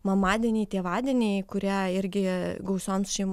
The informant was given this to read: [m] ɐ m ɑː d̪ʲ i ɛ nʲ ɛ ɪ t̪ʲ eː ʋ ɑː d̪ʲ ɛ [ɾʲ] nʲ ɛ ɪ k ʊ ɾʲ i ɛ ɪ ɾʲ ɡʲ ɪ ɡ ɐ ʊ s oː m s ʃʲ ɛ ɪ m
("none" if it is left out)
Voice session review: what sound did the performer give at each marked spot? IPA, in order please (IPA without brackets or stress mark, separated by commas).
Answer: m, none